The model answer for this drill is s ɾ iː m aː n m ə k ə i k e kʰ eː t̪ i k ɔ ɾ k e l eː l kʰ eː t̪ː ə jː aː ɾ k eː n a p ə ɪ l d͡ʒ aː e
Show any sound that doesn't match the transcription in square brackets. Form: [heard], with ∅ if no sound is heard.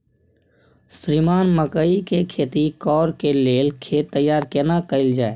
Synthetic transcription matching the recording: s ɾ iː m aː n m ə k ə i k e kʰ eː t̪ i k [ɔː] ɾ k e l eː l kʰ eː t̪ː ə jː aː ɾ k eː n a [k] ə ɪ l d͡ʒ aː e